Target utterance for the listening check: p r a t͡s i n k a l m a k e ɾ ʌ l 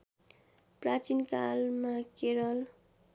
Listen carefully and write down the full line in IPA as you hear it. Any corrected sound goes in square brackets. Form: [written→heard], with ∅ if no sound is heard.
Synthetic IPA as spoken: p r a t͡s i n k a l m a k e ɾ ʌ l